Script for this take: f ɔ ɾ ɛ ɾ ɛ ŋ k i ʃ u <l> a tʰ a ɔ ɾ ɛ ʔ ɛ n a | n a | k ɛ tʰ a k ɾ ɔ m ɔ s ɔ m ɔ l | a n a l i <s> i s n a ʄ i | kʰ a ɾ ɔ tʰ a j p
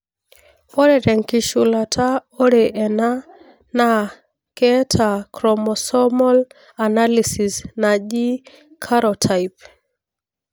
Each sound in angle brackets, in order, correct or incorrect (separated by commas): correct, correct